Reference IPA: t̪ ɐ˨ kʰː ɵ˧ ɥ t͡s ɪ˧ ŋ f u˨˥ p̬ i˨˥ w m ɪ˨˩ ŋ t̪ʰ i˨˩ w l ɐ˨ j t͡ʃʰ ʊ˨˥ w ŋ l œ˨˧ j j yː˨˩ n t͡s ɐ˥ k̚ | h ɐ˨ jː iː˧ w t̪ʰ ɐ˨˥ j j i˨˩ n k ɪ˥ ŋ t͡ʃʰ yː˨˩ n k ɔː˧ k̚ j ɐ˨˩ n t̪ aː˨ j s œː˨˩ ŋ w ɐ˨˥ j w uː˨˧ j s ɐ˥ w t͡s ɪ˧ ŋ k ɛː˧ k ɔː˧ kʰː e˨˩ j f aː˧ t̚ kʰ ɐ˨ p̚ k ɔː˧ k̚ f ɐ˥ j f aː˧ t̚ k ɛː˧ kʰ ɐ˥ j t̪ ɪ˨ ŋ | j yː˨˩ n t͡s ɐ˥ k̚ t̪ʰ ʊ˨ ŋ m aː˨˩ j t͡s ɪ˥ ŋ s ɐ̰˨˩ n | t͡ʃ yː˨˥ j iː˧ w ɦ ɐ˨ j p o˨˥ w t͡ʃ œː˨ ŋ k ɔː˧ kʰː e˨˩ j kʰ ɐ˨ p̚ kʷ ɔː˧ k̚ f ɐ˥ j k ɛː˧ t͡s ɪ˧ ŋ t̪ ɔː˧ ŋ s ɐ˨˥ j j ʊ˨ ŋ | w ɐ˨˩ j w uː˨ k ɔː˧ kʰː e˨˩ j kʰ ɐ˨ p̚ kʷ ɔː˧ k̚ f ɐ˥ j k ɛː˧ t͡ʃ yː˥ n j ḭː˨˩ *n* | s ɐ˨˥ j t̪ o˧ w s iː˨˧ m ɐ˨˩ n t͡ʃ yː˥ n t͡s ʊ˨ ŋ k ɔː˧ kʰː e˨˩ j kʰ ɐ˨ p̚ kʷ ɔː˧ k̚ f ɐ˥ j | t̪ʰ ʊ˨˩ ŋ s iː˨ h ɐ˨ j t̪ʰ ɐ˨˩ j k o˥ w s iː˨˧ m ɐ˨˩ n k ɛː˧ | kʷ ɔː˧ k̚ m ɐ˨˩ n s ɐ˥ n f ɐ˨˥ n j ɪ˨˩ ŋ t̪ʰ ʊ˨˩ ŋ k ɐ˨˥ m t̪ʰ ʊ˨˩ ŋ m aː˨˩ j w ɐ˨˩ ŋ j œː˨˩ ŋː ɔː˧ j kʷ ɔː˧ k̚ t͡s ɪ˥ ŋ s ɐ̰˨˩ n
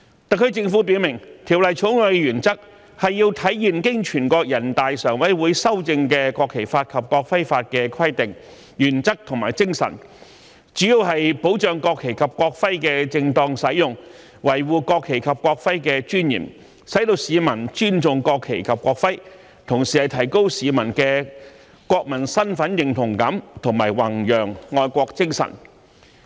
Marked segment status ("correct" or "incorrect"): incorrect